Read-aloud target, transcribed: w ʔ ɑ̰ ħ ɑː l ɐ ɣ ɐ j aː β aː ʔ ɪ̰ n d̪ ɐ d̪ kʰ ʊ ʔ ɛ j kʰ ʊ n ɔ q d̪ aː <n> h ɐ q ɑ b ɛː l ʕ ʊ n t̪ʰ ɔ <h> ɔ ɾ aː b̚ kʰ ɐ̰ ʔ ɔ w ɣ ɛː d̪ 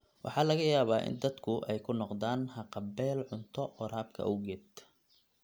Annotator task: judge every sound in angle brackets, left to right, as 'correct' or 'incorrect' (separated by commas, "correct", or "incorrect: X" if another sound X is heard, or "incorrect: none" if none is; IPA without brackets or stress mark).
correct, incorrect: none